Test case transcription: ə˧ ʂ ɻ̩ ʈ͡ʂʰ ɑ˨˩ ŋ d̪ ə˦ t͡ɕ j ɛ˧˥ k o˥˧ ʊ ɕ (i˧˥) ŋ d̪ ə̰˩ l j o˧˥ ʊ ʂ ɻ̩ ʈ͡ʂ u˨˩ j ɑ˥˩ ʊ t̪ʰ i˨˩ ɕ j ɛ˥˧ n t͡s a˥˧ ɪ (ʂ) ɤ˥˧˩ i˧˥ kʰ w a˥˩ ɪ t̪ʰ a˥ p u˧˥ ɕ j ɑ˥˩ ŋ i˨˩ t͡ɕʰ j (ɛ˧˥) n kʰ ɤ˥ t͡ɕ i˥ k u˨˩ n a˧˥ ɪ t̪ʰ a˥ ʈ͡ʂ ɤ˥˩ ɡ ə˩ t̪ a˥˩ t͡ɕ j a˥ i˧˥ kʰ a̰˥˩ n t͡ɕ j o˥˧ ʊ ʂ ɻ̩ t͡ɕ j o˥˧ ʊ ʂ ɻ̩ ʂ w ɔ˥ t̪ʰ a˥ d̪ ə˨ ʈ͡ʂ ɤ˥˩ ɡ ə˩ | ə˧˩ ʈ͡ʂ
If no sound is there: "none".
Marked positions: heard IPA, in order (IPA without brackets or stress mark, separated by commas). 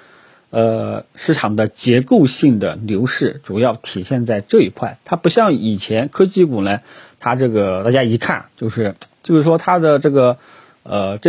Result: i˥˩, ʈ͡ʂ, ɛ˧˥